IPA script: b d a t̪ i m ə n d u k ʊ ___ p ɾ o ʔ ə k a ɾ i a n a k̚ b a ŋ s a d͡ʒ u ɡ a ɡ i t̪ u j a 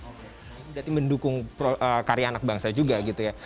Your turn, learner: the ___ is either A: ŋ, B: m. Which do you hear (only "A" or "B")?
A